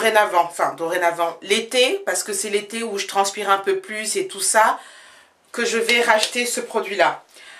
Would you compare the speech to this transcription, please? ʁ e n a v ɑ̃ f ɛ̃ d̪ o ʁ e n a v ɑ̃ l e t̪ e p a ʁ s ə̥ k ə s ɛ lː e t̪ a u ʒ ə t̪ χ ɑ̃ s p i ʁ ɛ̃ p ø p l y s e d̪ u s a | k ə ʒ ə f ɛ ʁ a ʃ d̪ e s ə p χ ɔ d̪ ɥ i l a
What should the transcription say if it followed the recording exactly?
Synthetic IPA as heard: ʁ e n a v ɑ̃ f ɛ̃ d̪ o ʁ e n a v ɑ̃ l e t̪ e p a ʁ s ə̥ k ə s ɛ l e t̪ e u ʒ ə t̪ χ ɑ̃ s p i ʁ ɛ̃ p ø p l y s e t̪ u s a | k ə ʒ ə v ɛ ʁ a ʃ t̪ e s ə p χ ɔ d̪ ɥ i l a